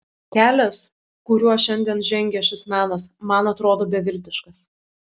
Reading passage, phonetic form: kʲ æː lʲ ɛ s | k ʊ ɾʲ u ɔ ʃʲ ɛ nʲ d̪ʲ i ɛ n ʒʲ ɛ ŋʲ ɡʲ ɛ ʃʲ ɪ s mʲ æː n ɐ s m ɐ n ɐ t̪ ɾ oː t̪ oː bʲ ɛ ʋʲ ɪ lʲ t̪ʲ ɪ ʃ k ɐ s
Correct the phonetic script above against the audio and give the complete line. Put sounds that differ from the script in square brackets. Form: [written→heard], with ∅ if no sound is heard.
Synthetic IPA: kʲ æː lʲ ɛ s | k ʊ ɾʲ u ɔ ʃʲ ɛ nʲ d̪ʲ i ɛ n ʒʲ ɛ ŋʲ ɡʲ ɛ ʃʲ ɪ s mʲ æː n ɐ s m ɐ n ɐ t̪ ɾ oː [t̪→d̪] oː bʲ ɛ ʋʲ ɪ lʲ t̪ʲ ɪ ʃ k ɐ s